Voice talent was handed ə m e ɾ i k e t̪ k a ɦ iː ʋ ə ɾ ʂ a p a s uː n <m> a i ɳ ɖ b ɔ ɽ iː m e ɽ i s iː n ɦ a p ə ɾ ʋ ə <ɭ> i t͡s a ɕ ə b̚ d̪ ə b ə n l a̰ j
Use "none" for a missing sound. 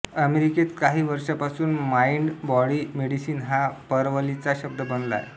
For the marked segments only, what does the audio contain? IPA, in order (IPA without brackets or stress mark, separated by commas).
m, l